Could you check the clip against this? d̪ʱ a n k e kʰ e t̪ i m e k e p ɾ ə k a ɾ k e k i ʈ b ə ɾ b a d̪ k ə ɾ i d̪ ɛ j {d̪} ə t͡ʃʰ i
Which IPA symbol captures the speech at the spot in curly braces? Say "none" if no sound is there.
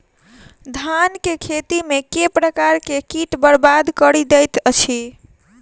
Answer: t̪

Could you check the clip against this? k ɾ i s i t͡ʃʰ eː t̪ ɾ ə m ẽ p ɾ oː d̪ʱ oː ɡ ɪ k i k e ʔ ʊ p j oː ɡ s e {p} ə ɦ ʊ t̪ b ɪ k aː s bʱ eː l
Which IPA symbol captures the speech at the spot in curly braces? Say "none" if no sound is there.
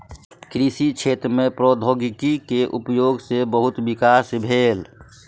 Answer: b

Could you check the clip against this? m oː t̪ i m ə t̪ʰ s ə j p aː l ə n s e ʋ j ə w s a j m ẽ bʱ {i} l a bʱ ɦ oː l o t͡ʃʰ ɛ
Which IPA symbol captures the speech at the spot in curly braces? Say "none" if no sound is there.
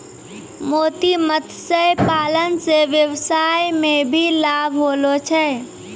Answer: i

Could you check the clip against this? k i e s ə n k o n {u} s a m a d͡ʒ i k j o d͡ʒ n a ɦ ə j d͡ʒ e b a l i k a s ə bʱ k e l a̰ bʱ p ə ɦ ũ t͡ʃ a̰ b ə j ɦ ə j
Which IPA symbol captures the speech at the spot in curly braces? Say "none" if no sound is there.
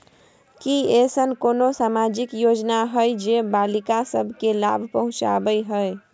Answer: o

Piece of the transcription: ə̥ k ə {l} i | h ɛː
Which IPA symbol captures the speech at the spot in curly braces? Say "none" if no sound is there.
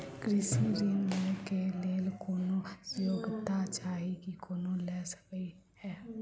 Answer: none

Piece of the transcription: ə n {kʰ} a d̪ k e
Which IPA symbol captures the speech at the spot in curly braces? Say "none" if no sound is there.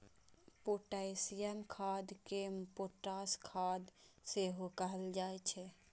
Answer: kʰ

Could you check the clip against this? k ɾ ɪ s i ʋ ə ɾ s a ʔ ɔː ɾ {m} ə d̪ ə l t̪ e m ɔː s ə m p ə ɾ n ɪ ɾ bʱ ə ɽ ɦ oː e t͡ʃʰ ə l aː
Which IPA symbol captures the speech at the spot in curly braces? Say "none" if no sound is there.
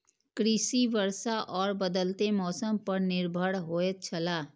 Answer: b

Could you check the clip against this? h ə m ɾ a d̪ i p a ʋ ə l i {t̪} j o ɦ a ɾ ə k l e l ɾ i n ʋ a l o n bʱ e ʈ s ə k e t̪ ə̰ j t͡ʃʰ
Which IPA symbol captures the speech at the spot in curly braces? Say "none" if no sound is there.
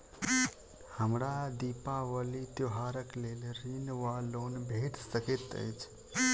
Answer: t̪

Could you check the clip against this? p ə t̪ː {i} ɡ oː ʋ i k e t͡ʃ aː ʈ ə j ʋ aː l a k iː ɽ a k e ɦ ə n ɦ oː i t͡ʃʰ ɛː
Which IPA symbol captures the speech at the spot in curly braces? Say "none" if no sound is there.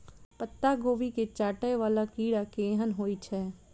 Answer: a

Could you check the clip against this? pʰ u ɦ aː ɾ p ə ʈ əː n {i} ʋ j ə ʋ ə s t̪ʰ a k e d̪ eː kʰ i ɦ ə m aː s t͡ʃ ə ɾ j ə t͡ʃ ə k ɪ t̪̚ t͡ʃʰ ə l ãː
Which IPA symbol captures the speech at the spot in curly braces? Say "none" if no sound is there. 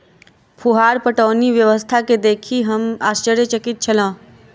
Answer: i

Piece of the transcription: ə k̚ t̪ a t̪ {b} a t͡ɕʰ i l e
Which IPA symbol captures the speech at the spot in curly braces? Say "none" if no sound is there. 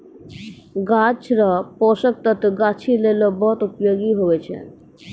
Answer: ɡ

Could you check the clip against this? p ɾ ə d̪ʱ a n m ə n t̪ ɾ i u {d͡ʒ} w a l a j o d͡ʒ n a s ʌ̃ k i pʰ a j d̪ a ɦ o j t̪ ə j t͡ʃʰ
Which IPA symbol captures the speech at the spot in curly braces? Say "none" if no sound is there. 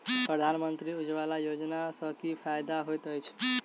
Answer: d͡ʒ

